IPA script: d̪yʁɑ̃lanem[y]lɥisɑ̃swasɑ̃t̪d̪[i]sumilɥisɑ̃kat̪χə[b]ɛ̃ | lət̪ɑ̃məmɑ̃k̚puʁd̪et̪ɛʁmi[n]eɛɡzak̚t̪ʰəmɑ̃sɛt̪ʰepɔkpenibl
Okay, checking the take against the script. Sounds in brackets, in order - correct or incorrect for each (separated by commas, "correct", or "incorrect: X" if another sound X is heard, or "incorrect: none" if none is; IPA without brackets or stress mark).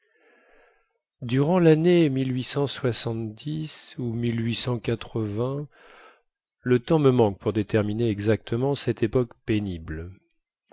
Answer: incorrect: i, correct, incorrect: v, correct